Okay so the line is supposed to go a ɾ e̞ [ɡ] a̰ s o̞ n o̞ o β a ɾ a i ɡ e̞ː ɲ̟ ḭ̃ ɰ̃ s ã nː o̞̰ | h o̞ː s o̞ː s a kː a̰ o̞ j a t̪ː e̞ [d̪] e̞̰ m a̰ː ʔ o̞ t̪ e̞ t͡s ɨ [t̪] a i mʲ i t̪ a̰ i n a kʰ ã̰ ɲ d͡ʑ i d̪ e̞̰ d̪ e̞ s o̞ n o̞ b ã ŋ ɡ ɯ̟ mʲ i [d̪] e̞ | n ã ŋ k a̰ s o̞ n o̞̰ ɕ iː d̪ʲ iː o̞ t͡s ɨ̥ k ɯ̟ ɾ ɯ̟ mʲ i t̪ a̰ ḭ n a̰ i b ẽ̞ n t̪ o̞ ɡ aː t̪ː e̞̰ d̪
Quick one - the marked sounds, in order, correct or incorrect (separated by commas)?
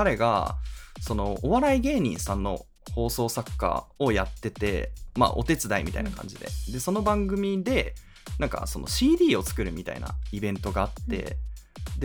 correct, incorrect, incorrect, correct